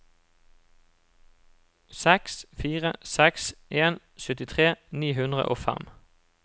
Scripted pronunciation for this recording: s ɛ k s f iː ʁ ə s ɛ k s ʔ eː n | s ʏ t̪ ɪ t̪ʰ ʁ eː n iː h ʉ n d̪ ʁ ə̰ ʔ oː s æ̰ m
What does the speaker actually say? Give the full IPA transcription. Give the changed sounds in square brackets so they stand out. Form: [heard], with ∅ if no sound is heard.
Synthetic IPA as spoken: s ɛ k s f iː ʁ ə s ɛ k s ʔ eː n | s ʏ t̪ ɪ t̪ʰ ʁ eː n iː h ʉ n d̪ ʁ ə̰ ʔ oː [f] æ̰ m